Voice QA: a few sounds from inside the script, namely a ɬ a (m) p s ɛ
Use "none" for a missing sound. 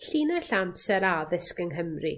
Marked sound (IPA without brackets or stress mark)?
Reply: m